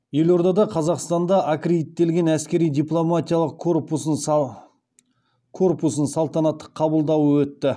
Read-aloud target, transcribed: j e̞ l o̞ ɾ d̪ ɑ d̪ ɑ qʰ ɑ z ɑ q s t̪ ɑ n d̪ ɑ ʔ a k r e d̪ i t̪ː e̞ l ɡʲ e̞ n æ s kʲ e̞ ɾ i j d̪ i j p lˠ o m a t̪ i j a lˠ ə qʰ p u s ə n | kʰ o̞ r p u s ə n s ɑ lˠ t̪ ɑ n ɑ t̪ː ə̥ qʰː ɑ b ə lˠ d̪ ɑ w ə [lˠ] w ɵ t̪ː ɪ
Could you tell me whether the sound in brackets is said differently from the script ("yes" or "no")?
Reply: yes